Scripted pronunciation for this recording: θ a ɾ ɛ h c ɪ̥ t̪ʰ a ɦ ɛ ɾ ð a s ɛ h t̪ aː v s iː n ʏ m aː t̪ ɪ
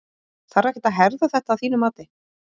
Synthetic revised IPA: θ a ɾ ɛ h c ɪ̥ t̪ a ɦ ɛ ɾ ð a θ ɛ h t̪ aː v θ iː n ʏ m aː t̪ ɪ